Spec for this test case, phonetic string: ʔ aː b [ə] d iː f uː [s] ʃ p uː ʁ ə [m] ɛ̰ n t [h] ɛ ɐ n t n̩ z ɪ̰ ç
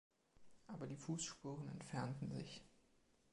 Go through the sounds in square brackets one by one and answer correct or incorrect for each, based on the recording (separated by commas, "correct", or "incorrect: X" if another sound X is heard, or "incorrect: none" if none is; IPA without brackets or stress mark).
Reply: incorrect: ɐ, correct, incorrect: n, incorrect: f